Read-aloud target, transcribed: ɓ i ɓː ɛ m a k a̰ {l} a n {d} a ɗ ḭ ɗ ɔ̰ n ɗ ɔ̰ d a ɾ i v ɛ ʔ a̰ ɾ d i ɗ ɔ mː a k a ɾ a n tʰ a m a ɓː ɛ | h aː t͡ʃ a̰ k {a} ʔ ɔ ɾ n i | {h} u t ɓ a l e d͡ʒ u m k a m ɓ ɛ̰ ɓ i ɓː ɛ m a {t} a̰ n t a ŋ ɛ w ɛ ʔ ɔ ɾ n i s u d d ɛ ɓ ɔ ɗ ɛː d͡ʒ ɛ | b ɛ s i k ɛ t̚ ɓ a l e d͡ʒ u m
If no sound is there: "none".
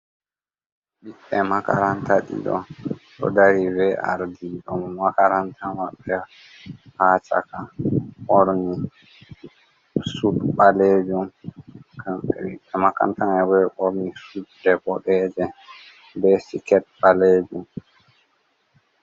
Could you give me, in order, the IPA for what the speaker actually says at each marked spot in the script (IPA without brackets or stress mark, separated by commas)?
ɾ, t, a, s, k